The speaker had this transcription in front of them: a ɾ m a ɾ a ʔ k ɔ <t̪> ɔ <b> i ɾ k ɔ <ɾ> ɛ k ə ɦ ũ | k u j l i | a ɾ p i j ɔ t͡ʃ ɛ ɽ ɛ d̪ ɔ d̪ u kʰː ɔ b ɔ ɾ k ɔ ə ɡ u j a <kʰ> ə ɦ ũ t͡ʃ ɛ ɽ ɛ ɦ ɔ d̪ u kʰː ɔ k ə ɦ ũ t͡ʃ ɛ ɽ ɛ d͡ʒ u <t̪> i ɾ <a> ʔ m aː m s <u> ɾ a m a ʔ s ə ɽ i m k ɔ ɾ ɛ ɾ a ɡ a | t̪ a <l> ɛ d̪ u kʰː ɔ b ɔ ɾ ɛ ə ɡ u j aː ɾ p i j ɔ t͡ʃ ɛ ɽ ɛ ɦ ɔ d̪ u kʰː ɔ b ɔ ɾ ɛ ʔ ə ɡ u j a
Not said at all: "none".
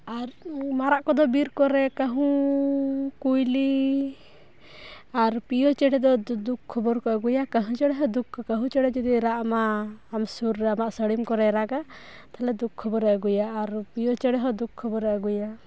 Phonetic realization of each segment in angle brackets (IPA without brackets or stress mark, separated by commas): d̪, b, ɾ, k, d̪, a, u, l